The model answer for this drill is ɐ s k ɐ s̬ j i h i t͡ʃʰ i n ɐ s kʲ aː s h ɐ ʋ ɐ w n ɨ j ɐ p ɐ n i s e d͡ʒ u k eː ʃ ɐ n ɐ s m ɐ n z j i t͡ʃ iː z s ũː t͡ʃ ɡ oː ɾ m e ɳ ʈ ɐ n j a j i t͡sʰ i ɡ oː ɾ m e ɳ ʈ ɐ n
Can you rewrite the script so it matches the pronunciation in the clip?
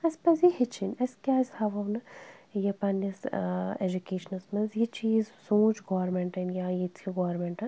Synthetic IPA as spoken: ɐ s p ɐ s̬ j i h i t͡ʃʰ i n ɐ s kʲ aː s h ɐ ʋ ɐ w n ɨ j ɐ p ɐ n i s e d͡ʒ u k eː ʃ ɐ n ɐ s m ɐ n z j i t͡ʃ iː z s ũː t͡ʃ ɡ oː ɾ m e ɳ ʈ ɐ n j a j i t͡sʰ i ɡ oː ɾ m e ɳ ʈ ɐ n